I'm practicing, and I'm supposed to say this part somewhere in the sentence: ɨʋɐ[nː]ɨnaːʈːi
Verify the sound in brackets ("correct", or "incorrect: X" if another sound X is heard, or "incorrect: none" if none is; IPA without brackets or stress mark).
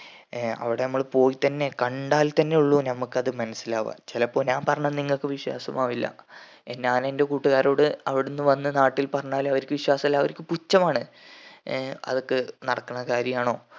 correct